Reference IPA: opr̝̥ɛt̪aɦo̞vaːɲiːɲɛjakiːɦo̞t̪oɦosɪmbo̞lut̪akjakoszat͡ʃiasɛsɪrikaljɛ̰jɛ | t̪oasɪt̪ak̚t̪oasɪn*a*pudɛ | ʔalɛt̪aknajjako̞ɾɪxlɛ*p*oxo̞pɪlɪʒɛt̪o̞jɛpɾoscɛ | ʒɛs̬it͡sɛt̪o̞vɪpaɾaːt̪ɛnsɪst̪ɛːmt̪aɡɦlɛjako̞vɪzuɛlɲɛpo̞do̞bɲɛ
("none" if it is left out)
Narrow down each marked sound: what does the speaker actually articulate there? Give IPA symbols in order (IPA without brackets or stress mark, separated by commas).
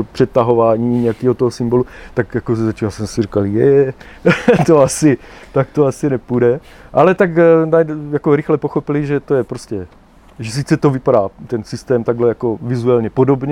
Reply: ɛ, p